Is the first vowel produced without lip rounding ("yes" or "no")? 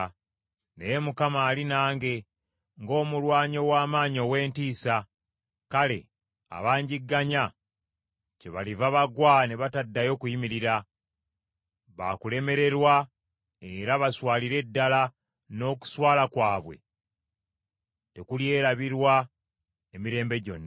yes